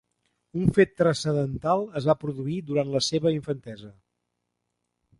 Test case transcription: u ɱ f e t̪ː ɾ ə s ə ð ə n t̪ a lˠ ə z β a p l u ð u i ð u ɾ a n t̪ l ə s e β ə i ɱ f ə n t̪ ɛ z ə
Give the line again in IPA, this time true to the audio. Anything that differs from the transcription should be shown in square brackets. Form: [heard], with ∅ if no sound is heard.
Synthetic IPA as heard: u ɱ f e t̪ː ɾ ə s ə ð ə n t̪ a lˠ ə z β a p [ɾ] u ð u i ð u ɾ a n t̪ l ə s e β ə i ɱ f ə n t̪ ɛ z ə